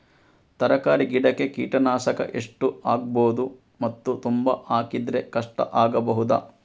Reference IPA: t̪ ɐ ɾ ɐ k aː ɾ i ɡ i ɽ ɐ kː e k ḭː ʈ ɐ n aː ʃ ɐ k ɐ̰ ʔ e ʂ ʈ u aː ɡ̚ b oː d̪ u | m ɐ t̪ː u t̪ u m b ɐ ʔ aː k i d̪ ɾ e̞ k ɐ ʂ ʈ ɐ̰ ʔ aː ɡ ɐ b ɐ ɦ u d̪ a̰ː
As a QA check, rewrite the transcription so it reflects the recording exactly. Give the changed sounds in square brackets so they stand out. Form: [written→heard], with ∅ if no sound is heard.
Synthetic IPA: t̪ ɐ ɾ ɐ k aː ɾ i ɡ i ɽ ɐ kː e k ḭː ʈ ɐ n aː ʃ ɐ k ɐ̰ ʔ e ʂ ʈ u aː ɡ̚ b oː d̪ u | m ɐ t̪ː u t̪ u m b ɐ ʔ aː k i d̪ ɾ e̞ k ɐ ʂ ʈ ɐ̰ ʔ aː ɡ ɐ b ɐ ɦ u d̪ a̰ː